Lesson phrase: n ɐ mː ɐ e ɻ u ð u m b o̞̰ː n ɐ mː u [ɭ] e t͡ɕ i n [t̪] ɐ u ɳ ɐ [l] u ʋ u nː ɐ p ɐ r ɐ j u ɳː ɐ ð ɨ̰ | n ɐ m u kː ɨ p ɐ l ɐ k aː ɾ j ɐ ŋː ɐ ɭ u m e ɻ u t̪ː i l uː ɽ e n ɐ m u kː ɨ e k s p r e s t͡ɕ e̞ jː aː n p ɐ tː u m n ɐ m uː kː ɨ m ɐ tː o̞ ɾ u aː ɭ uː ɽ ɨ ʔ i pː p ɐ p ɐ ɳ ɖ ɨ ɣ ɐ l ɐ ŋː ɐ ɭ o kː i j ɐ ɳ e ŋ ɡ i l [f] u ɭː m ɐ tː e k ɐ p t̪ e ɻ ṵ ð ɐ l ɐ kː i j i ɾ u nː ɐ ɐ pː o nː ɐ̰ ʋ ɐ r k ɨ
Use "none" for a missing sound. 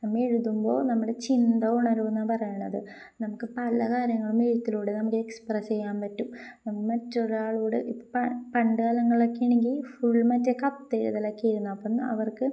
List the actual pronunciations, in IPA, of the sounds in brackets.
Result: ɽ, d̪, ɾ, f

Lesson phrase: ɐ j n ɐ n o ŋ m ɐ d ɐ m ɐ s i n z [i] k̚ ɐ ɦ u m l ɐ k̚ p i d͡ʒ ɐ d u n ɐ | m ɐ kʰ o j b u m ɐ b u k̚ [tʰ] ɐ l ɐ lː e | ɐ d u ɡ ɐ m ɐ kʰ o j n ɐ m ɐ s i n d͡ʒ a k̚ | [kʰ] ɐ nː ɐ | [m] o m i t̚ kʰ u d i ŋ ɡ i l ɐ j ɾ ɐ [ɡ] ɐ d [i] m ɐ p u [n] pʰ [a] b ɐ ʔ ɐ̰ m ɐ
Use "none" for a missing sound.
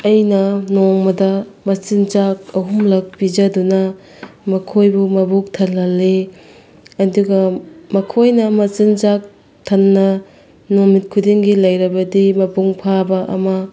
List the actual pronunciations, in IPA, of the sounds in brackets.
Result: a, tʰ, tʰ, n, b, i, ŋ, a

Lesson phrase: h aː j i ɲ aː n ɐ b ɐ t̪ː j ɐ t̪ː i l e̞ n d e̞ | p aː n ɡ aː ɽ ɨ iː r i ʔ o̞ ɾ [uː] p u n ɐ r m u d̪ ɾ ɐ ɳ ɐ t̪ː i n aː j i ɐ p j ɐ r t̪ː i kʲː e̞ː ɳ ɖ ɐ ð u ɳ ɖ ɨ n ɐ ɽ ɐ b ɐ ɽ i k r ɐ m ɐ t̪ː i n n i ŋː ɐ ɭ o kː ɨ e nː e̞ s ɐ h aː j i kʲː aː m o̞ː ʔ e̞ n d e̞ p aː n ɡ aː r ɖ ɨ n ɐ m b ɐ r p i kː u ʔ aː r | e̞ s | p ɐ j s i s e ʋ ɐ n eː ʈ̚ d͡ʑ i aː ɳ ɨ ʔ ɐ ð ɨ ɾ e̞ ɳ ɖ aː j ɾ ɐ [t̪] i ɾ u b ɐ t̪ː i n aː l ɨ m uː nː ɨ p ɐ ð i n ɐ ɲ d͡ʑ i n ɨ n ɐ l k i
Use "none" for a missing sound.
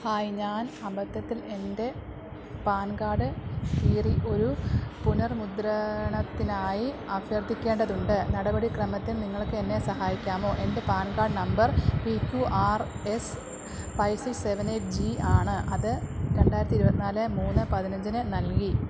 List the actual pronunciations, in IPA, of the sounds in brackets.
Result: u, t̪

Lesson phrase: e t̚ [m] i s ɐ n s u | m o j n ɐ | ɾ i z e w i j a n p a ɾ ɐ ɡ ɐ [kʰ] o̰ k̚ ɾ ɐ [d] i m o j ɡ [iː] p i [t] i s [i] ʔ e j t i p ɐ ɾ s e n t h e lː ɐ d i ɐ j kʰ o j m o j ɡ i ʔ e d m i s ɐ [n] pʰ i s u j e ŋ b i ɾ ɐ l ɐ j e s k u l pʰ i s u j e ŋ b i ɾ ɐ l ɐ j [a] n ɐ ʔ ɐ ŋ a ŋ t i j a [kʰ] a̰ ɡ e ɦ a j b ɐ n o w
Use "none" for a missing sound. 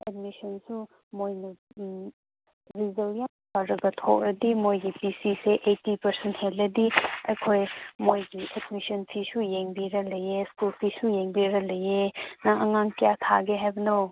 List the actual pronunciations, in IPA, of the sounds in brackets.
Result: m, tʰ, d, i, s, e, n, e, tʰ

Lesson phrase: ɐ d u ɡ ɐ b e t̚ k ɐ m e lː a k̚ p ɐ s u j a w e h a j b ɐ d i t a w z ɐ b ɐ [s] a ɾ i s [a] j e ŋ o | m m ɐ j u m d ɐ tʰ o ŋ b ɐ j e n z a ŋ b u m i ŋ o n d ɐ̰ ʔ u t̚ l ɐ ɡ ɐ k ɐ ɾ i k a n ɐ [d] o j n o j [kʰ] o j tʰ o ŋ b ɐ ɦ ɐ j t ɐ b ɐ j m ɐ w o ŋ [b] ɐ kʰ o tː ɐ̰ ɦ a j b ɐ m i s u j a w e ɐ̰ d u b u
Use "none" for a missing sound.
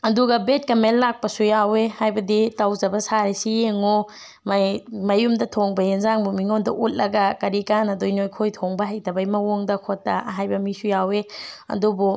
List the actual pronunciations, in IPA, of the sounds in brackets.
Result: s, i, d, kʰ, d

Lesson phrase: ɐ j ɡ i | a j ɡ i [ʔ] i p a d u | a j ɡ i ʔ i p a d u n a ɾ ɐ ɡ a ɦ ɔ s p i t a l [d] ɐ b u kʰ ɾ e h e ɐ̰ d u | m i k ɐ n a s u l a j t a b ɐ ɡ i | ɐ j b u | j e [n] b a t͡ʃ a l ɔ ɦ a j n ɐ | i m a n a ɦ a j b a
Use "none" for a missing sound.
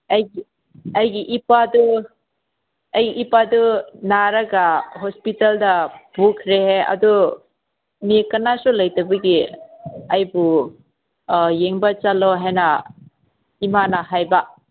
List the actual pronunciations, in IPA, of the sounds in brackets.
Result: ʔ, d, ŋ

